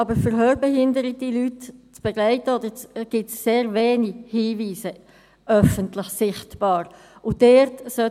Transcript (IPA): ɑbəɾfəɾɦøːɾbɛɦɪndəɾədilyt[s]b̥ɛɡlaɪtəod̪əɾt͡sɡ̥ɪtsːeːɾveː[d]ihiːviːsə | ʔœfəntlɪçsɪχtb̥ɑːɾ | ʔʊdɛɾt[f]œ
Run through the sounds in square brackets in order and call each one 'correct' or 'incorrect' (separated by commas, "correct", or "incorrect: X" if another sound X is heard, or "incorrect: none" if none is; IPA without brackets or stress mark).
incorrect: t͡s, incorrect: n, incorrect: s